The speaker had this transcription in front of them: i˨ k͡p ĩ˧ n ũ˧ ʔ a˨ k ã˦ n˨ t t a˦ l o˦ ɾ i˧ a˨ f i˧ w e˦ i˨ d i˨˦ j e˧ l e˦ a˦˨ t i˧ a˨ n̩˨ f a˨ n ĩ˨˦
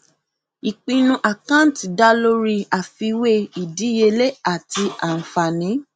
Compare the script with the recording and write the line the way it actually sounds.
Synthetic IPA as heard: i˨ k͡p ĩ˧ n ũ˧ ʔ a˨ k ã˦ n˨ t d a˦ l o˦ ɾ i˧ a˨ f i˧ w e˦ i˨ d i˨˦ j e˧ l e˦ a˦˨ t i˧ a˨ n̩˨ f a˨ n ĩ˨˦